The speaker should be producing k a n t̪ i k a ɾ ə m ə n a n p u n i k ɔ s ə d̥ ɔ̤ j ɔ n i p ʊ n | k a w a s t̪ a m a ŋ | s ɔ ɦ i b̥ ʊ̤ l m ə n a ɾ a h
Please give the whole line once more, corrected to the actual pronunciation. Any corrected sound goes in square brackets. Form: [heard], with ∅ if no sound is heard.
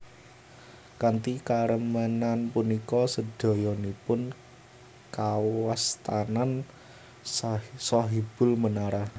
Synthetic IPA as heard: k a n t̪ i k a ɾ ə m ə n a n p u n i k ɔ s ə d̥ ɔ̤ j ɔ n i p ʊ n | k a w a s t̪ a [n] a [n] | s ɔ ɦ i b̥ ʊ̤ l m ə n a ɾ a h